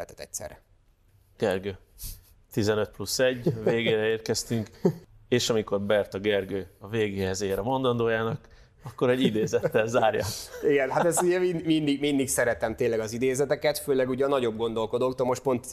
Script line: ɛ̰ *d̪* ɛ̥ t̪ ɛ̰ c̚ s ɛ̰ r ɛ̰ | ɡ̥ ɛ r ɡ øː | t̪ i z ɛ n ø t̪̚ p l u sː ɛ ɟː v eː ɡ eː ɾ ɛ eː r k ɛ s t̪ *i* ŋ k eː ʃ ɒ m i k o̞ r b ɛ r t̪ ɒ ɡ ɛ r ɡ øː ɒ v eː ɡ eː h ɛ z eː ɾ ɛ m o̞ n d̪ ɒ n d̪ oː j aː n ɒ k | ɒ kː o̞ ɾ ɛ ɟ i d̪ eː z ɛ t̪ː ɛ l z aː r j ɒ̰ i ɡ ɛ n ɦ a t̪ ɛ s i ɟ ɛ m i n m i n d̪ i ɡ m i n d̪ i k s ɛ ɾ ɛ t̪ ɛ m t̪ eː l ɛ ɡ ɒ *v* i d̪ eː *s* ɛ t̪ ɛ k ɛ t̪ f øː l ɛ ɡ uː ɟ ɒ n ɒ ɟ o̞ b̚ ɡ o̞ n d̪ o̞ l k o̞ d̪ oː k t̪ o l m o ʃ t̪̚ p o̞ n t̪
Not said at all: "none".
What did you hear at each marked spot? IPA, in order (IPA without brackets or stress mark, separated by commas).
t̪, y, z, z